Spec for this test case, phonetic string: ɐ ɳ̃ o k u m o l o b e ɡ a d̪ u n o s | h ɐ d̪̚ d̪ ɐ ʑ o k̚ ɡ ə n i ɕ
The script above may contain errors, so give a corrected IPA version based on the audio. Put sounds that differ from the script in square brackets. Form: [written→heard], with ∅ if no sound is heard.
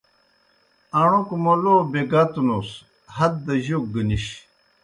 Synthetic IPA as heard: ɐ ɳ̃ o k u m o l o b e ɡ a [d̪→t̪] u n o s | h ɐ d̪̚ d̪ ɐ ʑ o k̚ ɡ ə n i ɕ